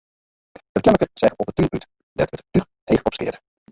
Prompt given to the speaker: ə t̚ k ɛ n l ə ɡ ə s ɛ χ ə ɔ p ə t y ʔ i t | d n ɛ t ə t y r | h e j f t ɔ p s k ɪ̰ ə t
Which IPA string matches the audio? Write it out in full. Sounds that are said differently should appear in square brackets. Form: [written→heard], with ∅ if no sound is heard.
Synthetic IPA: ə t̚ k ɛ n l ə [ɡ→k] ə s ɛ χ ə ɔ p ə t y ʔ [i→y] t | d [n→d] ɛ t ə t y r | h e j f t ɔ p s k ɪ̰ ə t

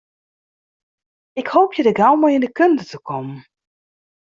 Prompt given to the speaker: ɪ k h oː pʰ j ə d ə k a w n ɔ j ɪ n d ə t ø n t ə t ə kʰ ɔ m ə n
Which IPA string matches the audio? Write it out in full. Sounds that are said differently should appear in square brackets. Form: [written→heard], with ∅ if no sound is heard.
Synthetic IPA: ɪ k h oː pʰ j ə d ə [k→ɡ] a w [n→m] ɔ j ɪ n d ə [t→k] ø n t ə t ə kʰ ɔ m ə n

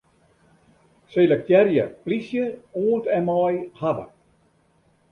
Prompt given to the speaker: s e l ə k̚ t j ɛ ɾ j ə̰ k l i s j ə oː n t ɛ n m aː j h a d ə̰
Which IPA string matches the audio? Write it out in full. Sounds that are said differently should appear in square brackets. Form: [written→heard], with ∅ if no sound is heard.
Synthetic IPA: s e l ə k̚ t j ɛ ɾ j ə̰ [k→p] l i s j ə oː n t ɛ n m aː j h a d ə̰

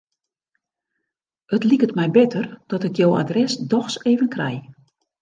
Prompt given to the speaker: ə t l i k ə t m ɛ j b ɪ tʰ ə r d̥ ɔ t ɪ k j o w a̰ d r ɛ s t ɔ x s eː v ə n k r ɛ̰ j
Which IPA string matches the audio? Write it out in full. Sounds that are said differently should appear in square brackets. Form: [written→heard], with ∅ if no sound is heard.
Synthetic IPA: ə t l i k ə t m ɛ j b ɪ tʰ ə r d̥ ɔ t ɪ k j o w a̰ d r ɛ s [t→d] ɔ x s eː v ə n k r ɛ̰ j

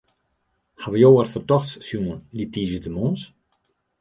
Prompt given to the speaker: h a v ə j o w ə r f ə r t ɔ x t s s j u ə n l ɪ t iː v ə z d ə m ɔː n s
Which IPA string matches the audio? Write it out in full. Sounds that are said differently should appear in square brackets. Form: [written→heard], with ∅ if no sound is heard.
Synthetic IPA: h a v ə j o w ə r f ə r t ɔ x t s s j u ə n l [ɪ→i] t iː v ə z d ə m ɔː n s

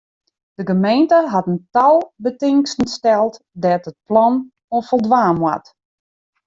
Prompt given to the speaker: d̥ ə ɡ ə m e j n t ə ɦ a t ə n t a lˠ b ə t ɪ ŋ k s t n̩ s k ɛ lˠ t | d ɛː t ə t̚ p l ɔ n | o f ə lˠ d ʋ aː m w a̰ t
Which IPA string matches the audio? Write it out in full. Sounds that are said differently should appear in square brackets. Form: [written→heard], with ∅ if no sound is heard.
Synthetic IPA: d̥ ə ɡ ə m e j n t ə ɦ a t ə n t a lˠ b ə t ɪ ŋ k s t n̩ s [k→t] ɛ lˠ t | d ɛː t ə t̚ p l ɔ n | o f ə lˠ d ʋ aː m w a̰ t

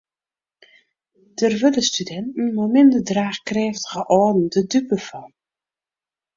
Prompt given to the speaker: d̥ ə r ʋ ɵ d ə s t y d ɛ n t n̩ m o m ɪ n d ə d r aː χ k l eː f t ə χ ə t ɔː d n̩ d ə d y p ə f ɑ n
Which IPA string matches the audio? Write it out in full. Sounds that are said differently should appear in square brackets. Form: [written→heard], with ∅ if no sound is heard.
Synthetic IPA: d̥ ə r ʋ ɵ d ə s t y d ɛ n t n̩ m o m ɪ n d ə d r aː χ k [l→r] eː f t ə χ ə [t→ʔ] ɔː d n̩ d ə d y p ə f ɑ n

